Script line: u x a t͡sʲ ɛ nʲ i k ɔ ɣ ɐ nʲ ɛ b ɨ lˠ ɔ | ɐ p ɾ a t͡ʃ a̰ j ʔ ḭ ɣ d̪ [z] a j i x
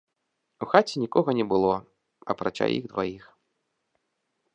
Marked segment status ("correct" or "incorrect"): incorrect